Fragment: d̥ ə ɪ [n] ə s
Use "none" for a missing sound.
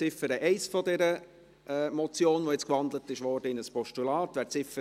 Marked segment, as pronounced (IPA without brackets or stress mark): n